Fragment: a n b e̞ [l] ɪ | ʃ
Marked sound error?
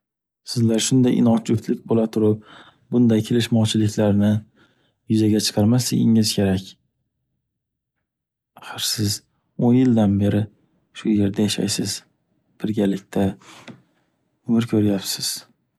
yes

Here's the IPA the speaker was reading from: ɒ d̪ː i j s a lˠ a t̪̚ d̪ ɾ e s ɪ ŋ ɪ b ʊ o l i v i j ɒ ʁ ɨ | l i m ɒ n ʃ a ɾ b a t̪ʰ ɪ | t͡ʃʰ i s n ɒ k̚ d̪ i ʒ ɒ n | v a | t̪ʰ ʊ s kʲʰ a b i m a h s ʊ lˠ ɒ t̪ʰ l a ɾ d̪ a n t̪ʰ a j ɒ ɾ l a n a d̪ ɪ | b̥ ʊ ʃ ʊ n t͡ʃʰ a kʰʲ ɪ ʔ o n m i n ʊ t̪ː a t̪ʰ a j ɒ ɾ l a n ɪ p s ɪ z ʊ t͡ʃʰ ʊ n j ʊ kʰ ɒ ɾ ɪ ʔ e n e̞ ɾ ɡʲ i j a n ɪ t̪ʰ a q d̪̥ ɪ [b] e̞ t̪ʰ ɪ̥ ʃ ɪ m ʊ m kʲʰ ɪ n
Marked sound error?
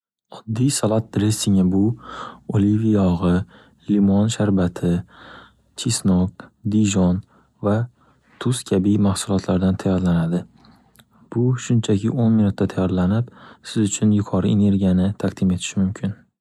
yes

